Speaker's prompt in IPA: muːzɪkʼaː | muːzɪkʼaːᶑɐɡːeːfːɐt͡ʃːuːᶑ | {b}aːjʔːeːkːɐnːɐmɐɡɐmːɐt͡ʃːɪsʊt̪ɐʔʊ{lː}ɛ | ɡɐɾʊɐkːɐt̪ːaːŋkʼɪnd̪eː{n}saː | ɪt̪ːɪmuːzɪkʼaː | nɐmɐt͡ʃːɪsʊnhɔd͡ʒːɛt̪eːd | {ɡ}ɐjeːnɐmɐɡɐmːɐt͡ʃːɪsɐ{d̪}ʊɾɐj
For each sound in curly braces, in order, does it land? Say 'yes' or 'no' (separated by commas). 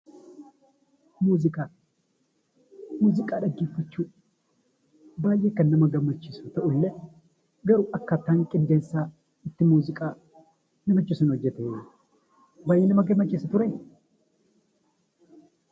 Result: yes, yes, yes, no, no